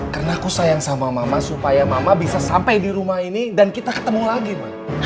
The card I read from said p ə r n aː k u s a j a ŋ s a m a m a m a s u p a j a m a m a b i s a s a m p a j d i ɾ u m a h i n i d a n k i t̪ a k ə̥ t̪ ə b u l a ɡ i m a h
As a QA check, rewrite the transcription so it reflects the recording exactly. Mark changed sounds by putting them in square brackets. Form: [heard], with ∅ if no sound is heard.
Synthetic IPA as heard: [k] ə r n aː k u s a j a ŋ s a m a m a m a s u p a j a m a m a b i s a s a m p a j d i ɾ u m a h i n i d a n k i t̪ a k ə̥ t̪ ə [m] u l a ɡ i m a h